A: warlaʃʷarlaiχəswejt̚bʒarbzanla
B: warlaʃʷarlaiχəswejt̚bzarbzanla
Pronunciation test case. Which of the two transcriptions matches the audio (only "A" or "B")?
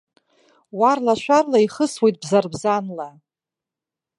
B